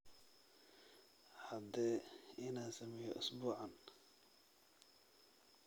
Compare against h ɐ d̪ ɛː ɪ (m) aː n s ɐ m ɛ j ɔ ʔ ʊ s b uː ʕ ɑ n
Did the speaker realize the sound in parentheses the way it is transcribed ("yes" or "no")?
no